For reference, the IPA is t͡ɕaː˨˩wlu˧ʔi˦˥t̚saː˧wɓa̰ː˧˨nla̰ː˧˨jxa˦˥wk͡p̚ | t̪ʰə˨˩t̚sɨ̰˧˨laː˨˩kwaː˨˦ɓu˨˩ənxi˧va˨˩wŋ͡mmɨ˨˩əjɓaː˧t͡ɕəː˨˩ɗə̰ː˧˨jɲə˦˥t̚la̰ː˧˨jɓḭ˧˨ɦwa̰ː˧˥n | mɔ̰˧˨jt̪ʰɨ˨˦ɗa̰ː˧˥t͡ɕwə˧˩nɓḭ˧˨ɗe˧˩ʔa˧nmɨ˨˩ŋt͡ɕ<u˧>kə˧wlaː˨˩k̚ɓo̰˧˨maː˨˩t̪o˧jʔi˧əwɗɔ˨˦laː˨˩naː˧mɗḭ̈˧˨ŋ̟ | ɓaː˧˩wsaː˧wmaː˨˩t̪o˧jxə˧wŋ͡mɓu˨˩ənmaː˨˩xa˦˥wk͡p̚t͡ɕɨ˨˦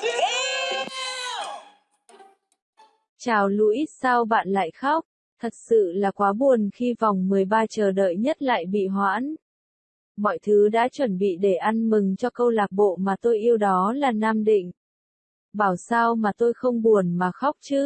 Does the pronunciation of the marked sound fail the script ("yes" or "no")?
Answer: yes